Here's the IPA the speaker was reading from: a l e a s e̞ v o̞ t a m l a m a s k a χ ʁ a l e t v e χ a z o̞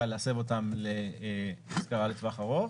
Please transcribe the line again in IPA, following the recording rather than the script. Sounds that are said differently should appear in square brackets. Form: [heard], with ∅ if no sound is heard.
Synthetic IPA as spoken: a l e a s e̞ v o̞ t a m l [e] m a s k a [∅] ʁ a l e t v [a] χ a [ʁ] o̞